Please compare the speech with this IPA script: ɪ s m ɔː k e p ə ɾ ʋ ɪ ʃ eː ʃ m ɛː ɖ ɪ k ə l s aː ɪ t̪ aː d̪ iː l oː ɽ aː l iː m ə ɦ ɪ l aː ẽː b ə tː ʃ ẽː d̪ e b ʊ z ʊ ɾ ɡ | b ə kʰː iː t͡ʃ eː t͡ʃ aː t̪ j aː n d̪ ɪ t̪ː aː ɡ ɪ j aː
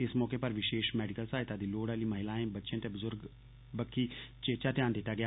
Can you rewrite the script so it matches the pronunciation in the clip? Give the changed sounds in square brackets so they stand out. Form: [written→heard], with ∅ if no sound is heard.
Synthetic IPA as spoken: ɪ s m ɔː k e p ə ɾ ʋ ɪ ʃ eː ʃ m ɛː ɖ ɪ k ə l s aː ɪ t̪ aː d̪ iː l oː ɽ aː l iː m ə ɦ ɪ l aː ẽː b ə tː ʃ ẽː [d̪→t̪] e b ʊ z ʊ ɾ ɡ | b ə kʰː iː t͡ʃ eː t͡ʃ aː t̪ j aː n d̪ ɪ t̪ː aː ɡ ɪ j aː